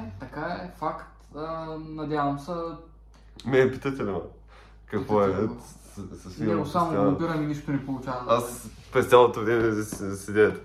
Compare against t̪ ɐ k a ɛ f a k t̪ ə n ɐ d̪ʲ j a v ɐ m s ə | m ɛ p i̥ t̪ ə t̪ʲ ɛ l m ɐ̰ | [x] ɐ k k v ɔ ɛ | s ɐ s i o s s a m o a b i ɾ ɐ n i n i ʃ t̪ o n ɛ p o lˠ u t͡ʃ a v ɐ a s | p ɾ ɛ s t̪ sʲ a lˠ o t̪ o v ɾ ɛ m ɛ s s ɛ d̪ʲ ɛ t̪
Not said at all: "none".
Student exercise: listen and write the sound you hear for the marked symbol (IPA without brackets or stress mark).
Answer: k